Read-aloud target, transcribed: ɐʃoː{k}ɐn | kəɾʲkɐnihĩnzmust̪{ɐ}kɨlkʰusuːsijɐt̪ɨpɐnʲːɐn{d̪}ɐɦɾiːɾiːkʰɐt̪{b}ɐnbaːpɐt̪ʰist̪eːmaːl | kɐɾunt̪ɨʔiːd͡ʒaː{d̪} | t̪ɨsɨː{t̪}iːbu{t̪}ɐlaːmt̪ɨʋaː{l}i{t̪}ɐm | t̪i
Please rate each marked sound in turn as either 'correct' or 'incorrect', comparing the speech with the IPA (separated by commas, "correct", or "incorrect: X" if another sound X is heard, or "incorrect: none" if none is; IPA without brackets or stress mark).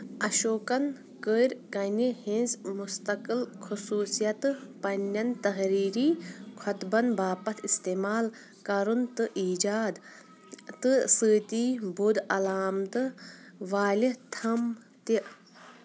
correct, correct, incorrect: t̪, correct, correct, correct, incorrect: d̪, correct, incorrect: t̪ʰ